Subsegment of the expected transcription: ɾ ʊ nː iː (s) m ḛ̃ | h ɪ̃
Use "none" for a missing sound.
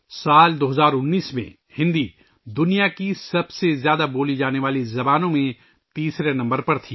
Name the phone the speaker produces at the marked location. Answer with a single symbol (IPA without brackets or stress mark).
s